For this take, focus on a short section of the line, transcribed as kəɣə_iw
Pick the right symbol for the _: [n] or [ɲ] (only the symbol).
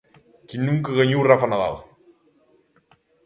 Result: ɲ